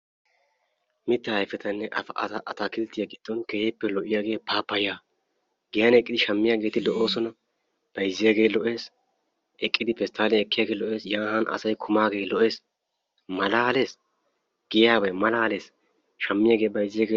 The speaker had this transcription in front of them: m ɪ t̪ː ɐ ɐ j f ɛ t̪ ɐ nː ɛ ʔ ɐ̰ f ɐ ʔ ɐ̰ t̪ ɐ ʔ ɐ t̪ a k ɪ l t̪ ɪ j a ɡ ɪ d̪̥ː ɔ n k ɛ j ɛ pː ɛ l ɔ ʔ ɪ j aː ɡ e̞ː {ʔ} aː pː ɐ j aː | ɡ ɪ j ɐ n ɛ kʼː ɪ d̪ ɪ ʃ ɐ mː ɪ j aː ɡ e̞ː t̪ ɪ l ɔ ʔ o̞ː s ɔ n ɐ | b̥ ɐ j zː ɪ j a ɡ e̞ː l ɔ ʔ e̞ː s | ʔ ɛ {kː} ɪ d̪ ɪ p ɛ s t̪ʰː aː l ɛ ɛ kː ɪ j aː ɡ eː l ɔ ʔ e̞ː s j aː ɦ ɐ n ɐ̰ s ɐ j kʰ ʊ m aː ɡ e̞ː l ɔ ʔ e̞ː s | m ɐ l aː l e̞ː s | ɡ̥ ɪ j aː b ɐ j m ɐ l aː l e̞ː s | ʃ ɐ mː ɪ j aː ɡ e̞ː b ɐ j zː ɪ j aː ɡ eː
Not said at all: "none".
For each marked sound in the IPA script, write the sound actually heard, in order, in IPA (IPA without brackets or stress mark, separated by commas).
p, kʼː